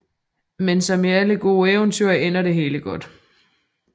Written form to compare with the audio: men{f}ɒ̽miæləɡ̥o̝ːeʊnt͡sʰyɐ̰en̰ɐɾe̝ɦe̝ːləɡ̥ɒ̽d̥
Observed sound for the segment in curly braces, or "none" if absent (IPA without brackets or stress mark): s